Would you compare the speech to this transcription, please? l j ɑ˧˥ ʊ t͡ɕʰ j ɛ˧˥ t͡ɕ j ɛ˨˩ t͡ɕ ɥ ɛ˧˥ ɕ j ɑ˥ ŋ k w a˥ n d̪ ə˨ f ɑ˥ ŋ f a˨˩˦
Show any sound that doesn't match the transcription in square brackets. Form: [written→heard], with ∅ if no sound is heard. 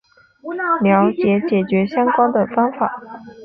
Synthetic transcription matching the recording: l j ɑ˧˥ ʊ [t͡ɕʰ→t͡ɕ] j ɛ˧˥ t͡ɕ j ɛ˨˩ t͡ɕ ɥ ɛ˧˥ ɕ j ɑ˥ ŋ k w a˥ n d̪ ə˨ f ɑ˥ ŋ f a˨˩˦